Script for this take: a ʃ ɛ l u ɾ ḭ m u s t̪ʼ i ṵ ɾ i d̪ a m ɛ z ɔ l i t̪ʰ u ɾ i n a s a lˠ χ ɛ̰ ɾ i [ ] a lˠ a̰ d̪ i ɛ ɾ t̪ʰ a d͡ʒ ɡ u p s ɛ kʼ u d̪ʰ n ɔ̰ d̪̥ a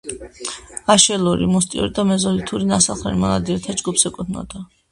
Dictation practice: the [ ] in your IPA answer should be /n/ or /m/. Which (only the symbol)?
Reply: m